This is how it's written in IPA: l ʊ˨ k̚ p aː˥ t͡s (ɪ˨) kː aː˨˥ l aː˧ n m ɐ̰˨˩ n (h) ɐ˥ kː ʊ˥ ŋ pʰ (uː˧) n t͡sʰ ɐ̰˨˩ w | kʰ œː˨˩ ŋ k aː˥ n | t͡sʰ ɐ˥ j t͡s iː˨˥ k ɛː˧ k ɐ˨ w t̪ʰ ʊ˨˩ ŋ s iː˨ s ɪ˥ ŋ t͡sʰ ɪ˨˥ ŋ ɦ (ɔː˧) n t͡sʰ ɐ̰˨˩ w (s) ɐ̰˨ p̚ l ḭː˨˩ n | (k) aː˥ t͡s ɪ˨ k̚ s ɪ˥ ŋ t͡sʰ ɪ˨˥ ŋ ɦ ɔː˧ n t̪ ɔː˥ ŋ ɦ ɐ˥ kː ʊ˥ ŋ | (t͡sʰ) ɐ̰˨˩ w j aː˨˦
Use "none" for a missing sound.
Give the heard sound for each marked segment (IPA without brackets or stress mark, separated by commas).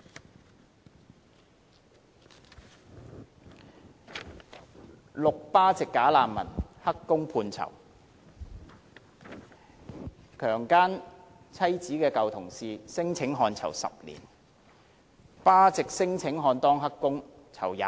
ɪ˨, h, uː˧, ɔː˧, s, p, t͡sʰ